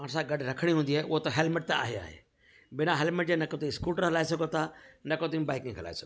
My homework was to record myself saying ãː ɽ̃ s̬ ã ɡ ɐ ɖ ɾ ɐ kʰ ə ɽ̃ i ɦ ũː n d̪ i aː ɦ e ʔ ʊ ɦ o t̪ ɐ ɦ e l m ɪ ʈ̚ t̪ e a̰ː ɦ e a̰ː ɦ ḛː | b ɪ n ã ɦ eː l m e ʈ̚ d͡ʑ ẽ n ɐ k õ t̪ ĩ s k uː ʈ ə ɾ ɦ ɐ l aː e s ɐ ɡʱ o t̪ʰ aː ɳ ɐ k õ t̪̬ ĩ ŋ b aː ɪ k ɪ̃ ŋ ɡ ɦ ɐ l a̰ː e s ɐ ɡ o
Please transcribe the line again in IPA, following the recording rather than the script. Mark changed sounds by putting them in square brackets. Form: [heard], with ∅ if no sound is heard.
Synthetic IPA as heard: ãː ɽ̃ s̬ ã ɡ ɐ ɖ ɾ ɐ kʰ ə ɽ̃ i ɦ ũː n d̪ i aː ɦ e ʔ ʊ ɦ o t̪ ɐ ɦ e l m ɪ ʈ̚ t̪ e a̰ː ɦ e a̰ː ɦ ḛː | b ɪ n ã ɦ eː l m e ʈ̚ d͡ʑ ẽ n ɐ k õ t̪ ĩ s k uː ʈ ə ɾ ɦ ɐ l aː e s ɐ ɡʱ o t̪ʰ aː [n] ɐ k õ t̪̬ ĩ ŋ b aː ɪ k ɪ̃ ŋ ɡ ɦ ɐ l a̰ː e s ɐ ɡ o